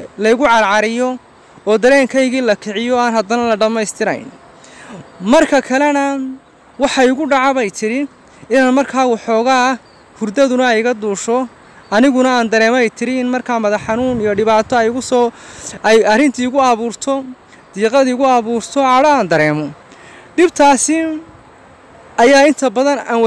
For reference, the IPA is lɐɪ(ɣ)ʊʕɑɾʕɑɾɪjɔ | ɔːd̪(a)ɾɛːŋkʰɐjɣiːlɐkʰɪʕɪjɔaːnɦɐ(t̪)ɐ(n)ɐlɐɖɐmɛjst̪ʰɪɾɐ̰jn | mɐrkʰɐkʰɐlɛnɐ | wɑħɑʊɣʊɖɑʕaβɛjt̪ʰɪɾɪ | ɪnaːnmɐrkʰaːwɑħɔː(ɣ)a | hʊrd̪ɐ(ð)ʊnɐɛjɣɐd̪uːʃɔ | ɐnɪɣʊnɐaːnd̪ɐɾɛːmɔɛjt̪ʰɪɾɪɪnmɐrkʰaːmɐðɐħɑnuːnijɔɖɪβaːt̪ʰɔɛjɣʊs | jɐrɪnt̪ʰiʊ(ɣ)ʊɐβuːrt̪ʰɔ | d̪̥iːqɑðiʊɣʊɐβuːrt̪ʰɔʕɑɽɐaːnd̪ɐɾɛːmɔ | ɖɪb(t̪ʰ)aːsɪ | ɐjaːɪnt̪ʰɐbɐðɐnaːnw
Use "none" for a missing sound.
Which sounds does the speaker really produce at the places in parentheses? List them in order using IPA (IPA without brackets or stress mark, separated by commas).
ɣ, ɐ, d̪, n, ɣ, ð, ɣ, t̪ʰ